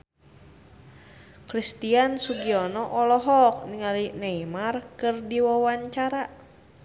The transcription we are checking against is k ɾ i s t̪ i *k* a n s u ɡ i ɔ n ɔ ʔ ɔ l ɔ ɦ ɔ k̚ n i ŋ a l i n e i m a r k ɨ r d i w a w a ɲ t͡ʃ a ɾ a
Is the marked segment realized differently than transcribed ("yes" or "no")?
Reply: yes